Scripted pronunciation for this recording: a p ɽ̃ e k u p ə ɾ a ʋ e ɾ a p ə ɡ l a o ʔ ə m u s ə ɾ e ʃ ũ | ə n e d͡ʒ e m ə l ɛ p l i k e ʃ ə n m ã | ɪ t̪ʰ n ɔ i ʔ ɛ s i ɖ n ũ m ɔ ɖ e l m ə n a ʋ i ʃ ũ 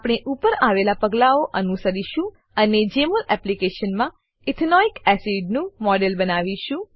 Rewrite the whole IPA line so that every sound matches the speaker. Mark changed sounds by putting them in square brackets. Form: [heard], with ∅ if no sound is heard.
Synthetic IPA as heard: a p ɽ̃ e [ʔ] u p ə ɾ a ʋ e [l] a p ə ɡ l a o ʔ ə [n] u s ə ɾ [i] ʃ ũ | ə n e d͡ʒ e m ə l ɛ p l i k e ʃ ə n m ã | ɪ t̪ʰ n ɔ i [k] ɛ s i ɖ n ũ m ɔ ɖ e l [b] ə n a ʋ i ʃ ũ

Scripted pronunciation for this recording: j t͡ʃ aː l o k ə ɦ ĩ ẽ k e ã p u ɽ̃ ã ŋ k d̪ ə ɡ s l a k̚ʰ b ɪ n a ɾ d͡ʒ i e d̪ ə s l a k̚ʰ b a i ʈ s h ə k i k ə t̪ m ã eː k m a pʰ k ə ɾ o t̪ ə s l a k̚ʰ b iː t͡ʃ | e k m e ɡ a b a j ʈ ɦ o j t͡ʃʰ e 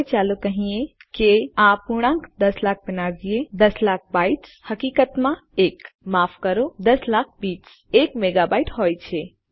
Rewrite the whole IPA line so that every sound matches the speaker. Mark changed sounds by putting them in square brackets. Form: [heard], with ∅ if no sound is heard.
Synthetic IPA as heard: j t͡ʃ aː l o k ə ɦ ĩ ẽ k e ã p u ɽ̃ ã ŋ k d̪ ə [∅] s l a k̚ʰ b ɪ n a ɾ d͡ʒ i e d̪ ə s l a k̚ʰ b a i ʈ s h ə k i k ə t̪ m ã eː k m a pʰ k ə ɾ o [d̪] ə s l a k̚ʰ b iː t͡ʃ | e k m e ɡ a b a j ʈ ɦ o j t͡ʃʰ e

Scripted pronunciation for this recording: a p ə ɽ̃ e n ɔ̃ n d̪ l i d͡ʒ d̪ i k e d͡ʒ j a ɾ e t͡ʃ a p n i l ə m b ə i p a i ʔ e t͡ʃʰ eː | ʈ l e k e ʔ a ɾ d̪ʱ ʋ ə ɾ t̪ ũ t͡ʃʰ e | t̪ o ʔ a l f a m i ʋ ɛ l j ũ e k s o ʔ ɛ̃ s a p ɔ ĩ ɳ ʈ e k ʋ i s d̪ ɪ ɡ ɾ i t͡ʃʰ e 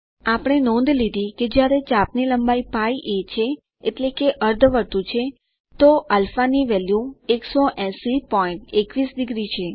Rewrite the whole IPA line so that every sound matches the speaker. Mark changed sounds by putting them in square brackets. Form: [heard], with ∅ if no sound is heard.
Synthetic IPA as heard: a p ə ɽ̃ e n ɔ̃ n d̪ l i [∅] d̪ i k e d͡ʒ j a ɾ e t͡ʃ a p n i l ə m b [a] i p a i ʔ e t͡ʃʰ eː | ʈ l e k e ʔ [ə] ɾ d̪ʱ ʋ ə ɾ t̪ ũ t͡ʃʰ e | t̪ o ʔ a l f a [n] i ʋ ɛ l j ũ e k s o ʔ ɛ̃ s [i] p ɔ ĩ ɳ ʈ e k ʋ i s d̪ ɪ ɡ ɾ i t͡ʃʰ e

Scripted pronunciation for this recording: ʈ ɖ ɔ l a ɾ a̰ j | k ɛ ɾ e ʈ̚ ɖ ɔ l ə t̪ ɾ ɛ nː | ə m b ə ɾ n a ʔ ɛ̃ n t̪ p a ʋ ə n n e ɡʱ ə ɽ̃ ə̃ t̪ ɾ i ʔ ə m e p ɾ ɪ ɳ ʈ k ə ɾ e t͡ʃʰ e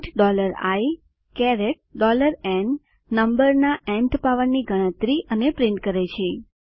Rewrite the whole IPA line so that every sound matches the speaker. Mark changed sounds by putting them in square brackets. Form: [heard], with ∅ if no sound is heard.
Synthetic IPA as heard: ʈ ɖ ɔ l [ə] ɾ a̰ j | k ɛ ɾ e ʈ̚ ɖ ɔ l ə [∅] ɾ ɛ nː | ə m b ə ɾ n a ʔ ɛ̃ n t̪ p a ʋ ə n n [i] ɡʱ ə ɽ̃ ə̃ t̪ ɾ i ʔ ə [n] e p ɾ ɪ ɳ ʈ k ə ɾ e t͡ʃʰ e

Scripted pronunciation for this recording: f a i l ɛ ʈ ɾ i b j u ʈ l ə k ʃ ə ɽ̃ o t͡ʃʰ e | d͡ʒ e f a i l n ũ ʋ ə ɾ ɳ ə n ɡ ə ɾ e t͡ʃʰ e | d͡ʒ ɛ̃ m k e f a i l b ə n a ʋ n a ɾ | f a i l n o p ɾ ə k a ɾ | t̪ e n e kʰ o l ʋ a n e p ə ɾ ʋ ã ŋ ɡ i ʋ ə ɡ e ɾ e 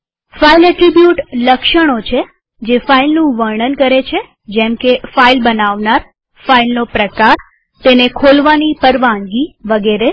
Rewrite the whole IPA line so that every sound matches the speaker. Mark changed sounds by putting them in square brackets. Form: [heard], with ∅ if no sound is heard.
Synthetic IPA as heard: f a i l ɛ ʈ ɾ i b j u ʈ l ə k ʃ ə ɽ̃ o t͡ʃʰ e | d͡ʒ e f a i l n ũ ʋ ə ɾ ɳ ə n [k] ə ɾ e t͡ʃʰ e | d͡ʒ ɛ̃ m k e f a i l b ə n a ʋ n a ɾ | f a i l n o p ɾ ə k a ɾ | t̪ e n e kʰ o l ʋ a n [i] p ə ɾ ʋ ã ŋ ɡ i ʋ ə ɡ e ɾ e

